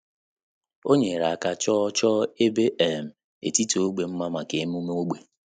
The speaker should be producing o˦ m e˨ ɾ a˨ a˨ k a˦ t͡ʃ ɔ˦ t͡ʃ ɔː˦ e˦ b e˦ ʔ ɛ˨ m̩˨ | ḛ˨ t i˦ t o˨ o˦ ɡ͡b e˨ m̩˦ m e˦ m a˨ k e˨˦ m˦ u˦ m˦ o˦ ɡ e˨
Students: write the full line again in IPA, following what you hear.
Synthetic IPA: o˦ ɲ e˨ ɾ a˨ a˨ k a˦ t͡ʃ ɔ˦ t͡ʃ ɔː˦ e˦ b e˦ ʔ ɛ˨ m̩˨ | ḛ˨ t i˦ t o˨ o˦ ɡ͡b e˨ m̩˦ m a˦ m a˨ k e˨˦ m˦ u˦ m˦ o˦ ɡ͡b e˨